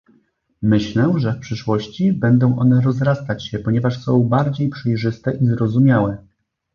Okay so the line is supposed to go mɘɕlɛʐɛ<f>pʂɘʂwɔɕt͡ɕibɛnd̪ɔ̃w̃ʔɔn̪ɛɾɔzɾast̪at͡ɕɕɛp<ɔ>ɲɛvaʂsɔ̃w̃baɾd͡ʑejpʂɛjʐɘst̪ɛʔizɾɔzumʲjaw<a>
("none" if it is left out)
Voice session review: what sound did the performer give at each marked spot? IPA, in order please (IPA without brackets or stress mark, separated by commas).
f, ɔ, ɛ